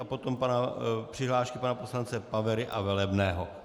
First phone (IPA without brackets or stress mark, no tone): a